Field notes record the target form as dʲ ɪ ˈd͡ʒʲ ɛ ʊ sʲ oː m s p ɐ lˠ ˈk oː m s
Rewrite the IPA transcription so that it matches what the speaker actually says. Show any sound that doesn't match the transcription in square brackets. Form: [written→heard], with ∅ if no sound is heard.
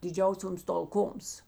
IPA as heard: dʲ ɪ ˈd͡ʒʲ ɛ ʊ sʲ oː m s [p→t] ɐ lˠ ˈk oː m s